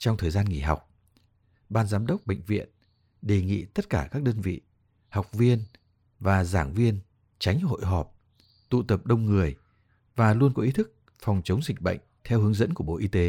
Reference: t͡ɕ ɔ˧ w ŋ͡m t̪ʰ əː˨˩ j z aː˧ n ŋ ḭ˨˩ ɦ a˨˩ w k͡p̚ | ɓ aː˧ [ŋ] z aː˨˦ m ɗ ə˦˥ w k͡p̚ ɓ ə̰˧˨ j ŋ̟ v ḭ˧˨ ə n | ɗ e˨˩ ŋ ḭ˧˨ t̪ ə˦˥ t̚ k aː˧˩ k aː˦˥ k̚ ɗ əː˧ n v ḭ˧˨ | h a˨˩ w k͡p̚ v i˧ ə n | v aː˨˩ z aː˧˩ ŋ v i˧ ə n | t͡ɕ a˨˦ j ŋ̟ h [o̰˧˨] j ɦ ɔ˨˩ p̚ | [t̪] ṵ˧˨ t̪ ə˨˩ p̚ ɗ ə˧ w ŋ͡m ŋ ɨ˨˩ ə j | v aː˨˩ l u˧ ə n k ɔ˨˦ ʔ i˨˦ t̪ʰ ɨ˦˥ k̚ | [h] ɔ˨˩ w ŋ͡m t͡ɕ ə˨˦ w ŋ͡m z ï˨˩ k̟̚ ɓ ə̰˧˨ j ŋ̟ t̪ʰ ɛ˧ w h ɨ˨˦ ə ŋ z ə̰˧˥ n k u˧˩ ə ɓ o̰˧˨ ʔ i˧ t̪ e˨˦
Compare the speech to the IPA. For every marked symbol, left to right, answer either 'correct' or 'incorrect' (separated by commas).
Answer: incorrect, correct, correct, incorrect